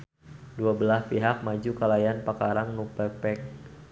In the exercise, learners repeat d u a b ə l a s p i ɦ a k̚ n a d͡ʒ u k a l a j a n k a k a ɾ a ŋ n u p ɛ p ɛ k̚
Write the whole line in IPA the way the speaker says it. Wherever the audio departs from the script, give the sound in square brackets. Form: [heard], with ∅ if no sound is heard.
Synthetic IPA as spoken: d u a b ə l a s p i ɦ a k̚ [m] a d͡ʒ u k a l a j a n [p] a k a ɾ a ŋ n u p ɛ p ɛ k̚